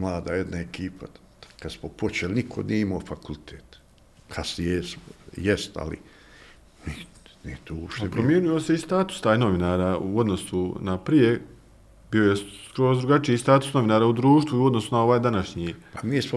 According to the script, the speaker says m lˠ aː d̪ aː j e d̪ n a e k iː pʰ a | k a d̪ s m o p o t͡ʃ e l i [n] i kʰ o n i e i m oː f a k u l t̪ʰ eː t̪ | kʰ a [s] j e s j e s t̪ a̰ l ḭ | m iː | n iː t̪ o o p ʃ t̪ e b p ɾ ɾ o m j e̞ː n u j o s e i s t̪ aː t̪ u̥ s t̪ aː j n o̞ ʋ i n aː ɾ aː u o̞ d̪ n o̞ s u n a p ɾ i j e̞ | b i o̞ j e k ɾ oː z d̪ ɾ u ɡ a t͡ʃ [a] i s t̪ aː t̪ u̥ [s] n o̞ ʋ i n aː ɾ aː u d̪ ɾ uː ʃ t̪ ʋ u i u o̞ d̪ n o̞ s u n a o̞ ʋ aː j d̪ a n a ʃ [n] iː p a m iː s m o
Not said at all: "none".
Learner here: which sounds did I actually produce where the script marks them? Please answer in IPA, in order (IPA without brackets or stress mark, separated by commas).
n, s, i, s, ɲ